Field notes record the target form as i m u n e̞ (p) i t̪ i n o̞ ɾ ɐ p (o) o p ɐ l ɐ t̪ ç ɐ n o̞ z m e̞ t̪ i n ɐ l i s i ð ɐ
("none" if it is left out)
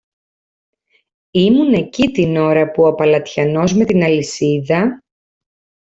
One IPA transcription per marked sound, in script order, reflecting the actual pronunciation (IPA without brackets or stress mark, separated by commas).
c, u